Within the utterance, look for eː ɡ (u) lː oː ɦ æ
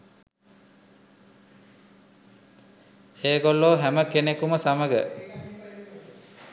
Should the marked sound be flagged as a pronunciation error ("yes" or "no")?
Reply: yes